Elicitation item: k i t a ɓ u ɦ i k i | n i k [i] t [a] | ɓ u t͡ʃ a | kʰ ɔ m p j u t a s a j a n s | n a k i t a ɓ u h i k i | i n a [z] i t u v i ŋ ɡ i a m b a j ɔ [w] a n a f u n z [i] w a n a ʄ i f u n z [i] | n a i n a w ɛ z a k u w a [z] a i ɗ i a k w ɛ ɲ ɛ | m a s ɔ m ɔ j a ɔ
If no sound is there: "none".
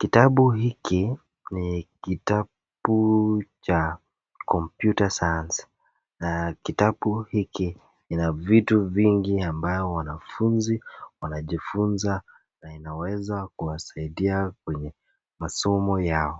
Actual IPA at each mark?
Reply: i, a, v, w, i, a, s

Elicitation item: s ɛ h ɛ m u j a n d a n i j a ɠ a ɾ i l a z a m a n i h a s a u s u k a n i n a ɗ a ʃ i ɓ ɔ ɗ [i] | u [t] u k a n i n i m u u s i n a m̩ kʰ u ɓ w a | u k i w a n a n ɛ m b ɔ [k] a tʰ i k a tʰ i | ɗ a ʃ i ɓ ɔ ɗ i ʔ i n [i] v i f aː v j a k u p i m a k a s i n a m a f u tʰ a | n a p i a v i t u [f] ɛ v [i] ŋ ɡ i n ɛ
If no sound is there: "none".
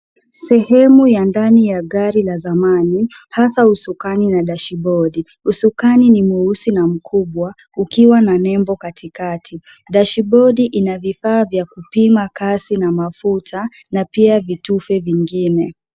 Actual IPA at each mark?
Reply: i, s, k, a, f, i

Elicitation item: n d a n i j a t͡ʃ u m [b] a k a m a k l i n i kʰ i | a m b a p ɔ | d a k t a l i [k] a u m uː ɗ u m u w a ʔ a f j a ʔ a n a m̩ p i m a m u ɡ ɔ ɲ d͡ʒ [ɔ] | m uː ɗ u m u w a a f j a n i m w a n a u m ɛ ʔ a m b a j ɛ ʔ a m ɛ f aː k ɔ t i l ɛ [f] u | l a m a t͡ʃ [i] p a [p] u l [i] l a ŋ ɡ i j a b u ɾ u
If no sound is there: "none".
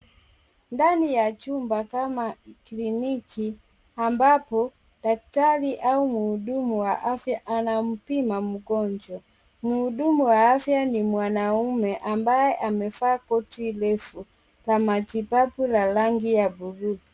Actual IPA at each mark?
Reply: b, ʔ, ɔ, f, i, p, a

